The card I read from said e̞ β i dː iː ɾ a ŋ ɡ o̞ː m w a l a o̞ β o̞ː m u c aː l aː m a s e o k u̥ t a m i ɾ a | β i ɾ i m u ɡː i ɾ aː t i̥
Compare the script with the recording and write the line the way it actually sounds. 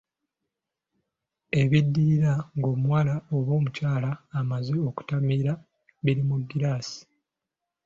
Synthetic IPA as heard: e̞ β i dː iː ɾ a ŋ ɡ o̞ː m w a l a o̞ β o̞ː m u c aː l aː m a z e o k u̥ t a m i ɾ a | β i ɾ i m u ɡː i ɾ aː s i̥